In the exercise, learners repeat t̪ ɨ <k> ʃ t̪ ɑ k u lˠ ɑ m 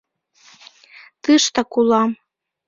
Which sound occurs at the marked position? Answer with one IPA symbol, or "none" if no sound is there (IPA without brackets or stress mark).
none